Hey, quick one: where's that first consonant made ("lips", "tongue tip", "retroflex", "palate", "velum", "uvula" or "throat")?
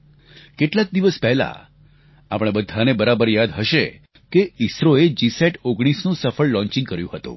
velum